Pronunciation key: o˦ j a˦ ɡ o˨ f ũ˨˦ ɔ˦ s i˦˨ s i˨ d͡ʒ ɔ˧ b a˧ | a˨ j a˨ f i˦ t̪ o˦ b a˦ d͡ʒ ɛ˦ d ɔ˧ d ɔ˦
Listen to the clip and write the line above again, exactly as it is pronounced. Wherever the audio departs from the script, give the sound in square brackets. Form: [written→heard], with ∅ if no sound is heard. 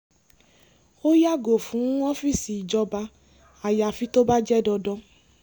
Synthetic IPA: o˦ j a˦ ɡ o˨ f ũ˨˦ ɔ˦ [s→f] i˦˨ s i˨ d͡ʒ ɔ˧ b a˧ | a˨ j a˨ f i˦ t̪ o˦ b a˦ d͡ʒ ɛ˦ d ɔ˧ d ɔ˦

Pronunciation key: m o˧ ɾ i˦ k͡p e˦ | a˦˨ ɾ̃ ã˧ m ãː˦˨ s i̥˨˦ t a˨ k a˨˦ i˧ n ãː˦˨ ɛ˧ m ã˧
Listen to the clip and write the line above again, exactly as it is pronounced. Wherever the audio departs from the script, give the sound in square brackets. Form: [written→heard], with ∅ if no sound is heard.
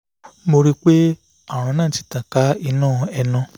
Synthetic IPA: m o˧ ɾ i˦ k͡p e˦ | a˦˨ ɾ̃ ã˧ [m→n] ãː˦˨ [s→t] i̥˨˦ t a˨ k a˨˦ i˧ n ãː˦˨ ɛ˧ [m→n] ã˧

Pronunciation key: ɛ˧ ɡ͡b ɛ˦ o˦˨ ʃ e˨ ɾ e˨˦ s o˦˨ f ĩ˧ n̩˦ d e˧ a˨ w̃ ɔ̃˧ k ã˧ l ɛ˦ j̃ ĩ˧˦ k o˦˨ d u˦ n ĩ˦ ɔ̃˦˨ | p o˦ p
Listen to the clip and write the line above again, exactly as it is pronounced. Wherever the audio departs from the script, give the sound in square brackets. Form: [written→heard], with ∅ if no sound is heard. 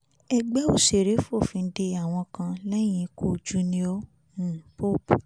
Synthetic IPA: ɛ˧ ɡ͡b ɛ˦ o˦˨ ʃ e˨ ɾ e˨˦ [s→f] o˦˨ f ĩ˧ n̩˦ d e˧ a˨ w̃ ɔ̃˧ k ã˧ l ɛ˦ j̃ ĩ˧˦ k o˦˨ [d→d͡ʒ] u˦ n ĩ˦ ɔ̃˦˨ | p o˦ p

